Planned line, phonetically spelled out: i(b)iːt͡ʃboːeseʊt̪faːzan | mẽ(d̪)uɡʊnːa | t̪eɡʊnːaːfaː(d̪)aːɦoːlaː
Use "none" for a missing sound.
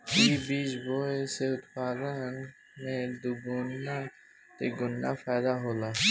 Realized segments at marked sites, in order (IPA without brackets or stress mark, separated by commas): b, d̪, d̪